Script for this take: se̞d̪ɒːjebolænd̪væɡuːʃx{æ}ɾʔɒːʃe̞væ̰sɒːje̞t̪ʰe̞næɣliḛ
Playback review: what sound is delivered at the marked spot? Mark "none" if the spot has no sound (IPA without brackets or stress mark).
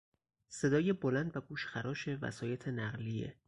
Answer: æ